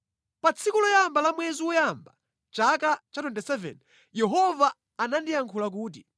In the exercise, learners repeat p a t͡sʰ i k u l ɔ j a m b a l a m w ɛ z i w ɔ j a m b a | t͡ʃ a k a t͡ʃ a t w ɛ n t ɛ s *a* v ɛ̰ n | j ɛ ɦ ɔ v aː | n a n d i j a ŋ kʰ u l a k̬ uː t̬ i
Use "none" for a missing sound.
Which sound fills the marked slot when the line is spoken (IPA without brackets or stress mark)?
ɛ